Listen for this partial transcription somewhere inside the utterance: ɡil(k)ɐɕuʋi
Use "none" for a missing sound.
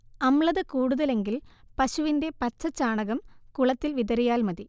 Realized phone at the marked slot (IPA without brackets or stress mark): p